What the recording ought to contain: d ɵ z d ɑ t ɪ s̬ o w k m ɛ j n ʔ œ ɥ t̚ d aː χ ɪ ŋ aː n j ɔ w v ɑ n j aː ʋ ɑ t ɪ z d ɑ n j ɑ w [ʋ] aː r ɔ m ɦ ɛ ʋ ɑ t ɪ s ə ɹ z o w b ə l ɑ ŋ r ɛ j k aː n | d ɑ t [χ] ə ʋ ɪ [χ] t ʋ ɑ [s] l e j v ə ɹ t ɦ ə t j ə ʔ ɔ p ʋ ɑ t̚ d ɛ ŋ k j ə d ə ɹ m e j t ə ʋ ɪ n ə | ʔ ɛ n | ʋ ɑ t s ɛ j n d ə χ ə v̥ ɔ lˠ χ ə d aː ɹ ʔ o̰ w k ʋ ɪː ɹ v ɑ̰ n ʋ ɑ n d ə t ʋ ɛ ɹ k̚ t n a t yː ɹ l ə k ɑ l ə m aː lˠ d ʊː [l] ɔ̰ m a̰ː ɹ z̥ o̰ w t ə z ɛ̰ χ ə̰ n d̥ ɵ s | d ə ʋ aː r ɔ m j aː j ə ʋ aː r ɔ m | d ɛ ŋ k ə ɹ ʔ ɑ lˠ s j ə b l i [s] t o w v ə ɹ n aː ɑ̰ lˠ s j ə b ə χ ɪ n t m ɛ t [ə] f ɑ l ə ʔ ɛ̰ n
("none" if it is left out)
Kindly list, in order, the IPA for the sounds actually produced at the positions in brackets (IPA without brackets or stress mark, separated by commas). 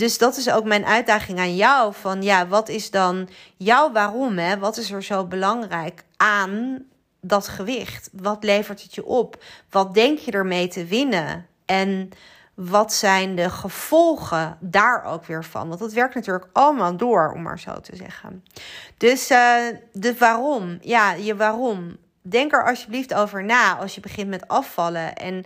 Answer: ʋ, χ, χ, t, ɹ, f, ɑ